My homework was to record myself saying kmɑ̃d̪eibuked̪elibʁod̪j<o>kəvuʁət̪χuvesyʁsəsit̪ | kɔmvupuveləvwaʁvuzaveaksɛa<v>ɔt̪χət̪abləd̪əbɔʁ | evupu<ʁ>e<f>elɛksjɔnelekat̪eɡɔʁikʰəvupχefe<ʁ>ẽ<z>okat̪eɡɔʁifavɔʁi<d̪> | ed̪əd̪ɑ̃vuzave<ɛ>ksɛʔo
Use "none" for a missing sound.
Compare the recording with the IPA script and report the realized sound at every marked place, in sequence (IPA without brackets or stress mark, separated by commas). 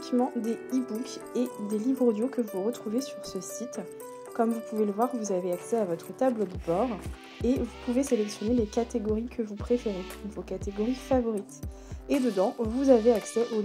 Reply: o, v, v, s, ʁ, v, t̪, a